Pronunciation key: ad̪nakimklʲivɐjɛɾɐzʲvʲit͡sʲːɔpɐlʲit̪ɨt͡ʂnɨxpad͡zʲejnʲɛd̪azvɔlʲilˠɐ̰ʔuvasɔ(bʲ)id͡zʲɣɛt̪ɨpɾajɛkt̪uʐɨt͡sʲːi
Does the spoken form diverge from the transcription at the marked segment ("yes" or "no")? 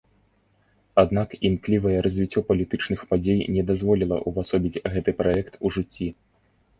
no